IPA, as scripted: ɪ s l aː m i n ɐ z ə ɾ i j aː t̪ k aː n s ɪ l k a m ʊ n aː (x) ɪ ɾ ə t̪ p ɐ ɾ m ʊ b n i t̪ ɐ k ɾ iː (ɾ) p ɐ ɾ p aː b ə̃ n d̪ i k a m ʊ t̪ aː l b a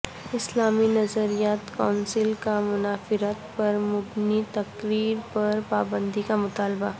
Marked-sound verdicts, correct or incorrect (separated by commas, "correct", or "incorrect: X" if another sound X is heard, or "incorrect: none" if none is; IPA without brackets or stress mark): incorrect: f, correct